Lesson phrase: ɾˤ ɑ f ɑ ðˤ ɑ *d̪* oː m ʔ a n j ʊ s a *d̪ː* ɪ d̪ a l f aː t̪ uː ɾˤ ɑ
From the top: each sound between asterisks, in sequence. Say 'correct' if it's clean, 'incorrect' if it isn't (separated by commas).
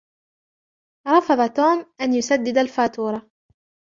incorrect, correct